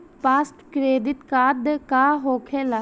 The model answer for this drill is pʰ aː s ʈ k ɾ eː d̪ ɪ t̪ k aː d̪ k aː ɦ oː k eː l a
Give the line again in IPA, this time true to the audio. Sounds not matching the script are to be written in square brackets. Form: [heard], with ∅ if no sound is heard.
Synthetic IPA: [p] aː s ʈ k ɾ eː d̪ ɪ t̪ k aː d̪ k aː ɦ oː [kʰ] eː l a